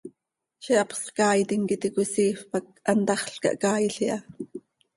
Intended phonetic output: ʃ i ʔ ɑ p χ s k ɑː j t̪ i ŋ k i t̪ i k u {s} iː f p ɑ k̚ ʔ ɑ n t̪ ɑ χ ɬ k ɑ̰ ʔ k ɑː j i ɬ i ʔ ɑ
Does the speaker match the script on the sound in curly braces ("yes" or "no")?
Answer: yes